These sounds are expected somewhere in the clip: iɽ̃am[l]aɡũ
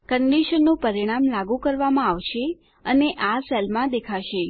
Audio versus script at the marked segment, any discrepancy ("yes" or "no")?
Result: no